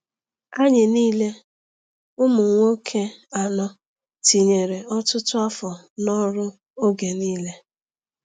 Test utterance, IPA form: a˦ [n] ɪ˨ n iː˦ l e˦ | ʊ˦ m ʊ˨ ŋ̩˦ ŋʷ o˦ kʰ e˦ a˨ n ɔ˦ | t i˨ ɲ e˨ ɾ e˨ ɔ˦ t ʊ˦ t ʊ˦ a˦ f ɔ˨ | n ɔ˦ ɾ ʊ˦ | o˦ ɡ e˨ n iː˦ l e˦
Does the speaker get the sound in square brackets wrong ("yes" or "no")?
yes